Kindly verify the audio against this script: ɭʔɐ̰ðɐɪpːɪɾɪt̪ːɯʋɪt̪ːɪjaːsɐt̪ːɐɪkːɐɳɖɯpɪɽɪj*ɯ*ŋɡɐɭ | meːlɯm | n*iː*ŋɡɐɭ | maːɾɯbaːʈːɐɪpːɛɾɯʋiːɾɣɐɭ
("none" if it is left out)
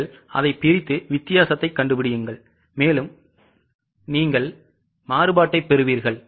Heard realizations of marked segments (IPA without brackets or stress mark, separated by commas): ɯ, iː